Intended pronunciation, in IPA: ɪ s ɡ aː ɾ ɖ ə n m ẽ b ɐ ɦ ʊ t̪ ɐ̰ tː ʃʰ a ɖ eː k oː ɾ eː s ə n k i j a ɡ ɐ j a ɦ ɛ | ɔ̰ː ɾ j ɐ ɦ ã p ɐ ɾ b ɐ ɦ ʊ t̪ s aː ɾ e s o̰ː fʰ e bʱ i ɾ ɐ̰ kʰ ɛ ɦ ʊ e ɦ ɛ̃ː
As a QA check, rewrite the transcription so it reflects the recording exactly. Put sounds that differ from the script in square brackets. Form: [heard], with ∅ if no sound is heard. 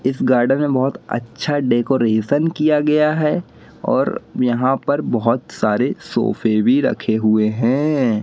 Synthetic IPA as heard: ɪ s ɡ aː ɾ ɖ ə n m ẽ b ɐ ɦ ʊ t̪ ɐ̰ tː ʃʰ a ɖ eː k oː ɾ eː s ə n k i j a ɡ ɐ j a ɦ ɛ | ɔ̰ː ɾ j ɐ ɦ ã p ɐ ɾ b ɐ ɦ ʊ t̪ s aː ɾ e s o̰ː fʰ e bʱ i ɾ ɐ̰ kʰ [e] ɦ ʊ e ɦ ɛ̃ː